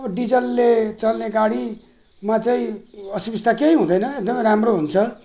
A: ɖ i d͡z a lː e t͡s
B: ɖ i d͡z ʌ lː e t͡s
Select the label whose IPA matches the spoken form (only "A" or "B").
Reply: B